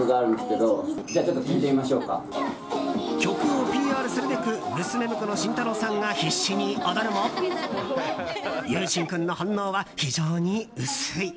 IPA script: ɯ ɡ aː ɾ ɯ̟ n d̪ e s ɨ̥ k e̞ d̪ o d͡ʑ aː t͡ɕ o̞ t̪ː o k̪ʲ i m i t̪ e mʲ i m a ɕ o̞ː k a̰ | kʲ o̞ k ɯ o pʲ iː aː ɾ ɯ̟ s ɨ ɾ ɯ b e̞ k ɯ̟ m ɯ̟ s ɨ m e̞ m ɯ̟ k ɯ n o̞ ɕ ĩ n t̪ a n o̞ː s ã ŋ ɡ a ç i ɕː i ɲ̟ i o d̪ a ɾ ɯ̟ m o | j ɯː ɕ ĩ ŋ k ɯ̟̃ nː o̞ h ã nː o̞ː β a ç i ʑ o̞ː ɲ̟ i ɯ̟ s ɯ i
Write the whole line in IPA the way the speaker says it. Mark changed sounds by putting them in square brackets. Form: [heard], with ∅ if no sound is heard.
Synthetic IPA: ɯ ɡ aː ɾ ɯ̟ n d̪ e s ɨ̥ k e̞ d̪ o d͡ʑ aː t͡ɕ o̞ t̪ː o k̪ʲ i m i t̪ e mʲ i m a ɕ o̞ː k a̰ | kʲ o̞ k ɯ o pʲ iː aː ɾ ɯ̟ s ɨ ɾ ɯ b e̞ k ɯ̟ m ɯ̟ s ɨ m e̞ m ɯ̟ k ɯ n o̞ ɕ ĩ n t̪ a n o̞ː s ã ŋ ɡ a ç i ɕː i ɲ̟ i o d̪ a ɾ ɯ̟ m o | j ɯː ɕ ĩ ŋ k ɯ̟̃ nː o̞ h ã nː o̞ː β a ç i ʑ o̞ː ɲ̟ i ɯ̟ s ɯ i